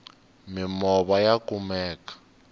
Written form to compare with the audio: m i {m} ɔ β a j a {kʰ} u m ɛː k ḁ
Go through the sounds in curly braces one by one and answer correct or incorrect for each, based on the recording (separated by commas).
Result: correct, incorrect